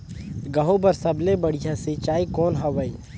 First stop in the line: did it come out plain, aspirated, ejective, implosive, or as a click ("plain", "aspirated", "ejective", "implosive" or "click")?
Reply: plain